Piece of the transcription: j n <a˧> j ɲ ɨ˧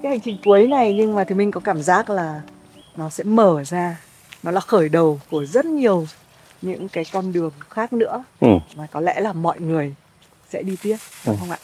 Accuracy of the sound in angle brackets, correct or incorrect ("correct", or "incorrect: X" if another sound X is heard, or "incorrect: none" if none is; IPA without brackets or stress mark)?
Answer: incorrect: a˨˩